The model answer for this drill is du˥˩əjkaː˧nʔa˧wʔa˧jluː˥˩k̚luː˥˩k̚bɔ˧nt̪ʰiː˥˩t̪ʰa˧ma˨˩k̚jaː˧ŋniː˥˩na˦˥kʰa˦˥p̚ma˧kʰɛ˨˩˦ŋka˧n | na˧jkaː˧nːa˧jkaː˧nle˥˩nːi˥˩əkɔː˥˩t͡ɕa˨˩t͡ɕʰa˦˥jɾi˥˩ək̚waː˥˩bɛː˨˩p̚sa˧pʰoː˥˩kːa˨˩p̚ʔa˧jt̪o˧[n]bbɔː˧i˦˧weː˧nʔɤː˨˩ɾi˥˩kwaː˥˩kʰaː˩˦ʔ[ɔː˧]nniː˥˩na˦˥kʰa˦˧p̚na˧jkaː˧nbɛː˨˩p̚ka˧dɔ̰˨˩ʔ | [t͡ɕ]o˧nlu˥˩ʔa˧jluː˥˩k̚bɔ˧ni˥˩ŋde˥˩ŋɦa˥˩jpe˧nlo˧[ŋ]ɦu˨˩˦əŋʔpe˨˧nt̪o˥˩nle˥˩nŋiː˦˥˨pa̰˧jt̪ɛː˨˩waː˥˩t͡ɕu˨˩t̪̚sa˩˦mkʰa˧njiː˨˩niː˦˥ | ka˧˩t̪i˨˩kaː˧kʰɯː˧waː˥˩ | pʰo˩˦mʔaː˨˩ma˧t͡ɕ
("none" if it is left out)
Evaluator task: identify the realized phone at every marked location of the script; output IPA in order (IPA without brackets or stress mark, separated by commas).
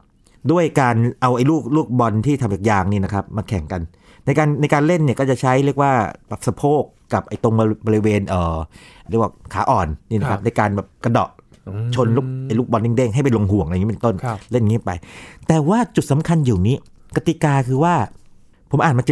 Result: ŋ, ɔː˨˩, t͡ɕʰ, ŋ